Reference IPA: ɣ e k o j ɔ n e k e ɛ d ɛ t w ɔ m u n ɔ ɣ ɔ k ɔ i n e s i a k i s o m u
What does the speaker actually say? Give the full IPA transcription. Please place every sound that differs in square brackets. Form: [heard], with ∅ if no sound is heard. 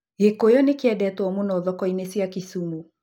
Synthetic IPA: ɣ e k o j ɔ n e k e ɛ d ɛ t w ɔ m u n ɔ [ð] ɔ k ɔ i n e s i a k i s [u] m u